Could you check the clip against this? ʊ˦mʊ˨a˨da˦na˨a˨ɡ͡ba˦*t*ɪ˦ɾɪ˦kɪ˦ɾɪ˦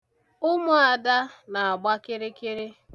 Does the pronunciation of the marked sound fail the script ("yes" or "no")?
yes